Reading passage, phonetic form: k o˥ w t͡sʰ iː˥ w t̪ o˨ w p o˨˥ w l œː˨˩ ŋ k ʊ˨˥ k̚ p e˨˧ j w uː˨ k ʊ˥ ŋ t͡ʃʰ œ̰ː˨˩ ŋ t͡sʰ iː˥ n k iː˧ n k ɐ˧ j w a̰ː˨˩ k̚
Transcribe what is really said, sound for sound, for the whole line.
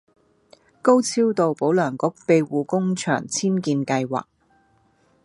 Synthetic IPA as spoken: k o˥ w t͡sʰ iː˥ w t̪ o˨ w p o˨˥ w l œː˨˩ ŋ k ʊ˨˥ k̚ p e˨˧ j w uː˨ k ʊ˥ ŋ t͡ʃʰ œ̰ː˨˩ ŋ t͡sʰ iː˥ n k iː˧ n k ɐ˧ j w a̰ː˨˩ k̚